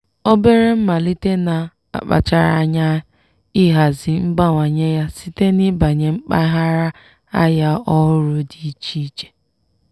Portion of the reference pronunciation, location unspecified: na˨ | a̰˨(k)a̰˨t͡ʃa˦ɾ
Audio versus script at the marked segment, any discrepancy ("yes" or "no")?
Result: yes